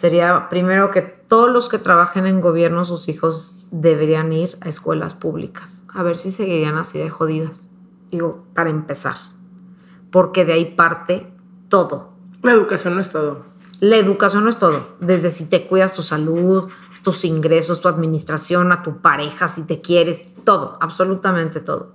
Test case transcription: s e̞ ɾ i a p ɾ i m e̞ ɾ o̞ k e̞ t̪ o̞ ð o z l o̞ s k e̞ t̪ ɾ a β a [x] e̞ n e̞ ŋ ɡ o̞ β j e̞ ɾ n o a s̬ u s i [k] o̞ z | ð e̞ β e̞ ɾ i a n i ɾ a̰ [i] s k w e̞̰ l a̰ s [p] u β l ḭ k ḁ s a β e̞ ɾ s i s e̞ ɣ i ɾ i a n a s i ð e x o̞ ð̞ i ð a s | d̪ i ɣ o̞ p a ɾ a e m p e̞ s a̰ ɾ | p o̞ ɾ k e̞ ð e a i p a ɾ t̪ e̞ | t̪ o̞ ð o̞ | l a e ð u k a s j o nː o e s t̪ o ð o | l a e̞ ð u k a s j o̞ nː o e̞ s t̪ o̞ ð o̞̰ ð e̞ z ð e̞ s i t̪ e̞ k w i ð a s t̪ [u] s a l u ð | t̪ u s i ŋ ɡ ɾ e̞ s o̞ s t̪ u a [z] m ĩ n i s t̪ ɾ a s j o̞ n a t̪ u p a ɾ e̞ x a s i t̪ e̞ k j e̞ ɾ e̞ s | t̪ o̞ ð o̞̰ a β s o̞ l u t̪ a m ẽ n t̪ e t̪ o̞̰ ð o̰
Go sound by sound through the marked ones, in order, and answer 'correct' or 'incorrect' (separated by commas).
correct, incorrect, incorrect, correct, correct, incorrect